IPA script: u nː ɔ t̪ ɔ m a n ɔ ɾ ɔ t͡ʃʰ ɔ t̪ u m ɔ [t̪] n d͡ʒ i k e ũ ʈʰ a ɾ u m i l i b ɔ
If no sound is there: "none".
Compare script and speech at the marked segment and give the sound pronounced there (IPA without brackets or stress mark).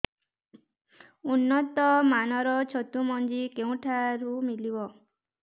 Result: none